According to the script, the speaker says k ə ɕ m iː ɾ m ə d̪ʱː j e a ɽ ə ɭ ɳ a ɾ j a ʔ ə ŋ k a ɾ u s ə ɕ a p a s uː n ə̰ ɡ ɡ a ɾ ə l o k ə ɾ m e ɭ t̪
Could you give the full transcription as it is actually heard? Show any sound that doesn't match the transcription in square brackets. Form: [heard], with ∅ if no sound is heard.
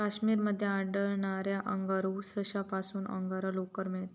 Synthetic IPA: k [a] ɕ m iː ɾ m ə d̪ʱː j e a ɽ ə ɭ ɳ a ɾ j a ʔ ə ŋ [ɡ] a ɾ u s ə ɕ a p a s uː n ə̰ [ŋ] ɡ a ɾ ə l o k ə ɾ m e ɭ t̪